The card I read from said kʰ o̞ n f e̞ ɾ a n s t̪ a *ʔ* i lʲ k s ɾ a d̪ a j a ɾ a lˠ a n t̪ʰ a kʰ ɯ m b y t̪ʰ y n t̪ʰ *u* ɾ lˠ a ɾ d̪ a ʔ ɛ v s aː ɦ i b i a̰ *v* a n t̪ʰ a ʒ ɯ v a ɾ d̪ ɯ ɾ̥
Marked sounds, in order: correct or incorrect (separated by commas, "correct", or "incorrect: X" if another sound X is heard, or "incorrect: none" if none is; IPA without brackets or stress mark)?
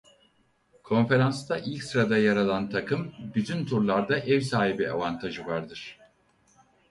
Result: correct, correct, correct